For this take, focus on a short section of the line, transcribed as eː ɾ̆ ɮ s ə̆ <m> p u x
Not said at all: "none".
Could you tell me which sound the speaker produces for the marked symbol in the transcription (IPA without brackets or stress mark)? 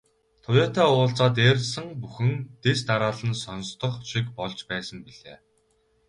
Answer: ŋ